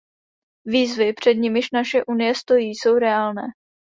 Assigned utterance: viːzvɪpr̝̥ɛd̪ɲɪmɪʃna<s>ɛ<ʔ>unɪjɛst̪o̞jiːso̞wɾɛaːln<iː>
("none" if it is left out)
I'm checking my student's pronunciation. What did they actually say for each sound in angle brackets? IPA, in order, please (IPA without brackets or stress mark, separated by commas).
ʃ, ʔ, ɛː